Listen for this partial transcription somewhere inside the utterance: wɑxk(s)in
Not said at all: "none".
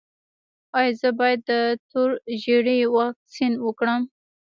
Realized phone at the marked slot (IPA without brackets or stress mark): s